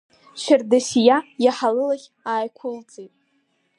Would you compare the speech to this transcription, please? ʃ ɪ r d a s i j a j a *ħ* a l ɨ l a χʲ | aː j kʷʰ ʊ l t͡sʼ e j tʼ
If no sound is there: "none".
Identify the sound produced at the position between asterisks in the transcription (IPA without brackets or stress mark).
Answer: ħ